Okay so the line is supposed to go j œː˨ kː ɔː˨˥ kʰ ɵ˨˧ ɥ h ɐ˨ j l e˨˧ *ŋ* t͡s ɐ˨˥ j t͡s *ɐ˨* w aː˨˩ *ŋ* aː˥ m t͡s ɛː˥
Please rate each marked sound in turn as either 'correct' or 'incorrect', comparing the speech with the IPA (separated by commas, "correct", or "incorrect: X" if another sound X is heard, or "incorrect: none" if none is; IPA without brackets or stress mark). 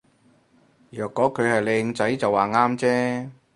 correct, correct, correct